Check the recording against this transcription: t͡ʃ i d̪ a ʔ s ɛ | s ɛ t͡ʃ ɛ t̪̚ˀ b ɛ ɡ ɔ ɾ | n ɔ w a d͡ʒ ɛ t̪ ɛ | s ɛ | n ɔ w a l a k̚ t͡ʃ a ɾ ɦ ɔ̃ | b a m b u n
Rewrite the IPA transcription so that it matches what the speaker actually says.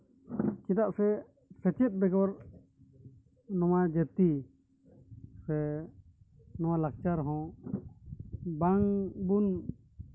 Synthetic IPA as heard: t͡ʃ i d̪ a ʔ s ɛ | s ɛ t͡ʃ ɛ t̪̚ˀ b ɛ ɡ ɔ ɾ | n ɔ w a d͡ʒ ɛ t̪ i | s ɛ | n ɔ w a l a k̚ t͡ʃ a ɾ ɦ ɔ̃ | b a ŋ b u n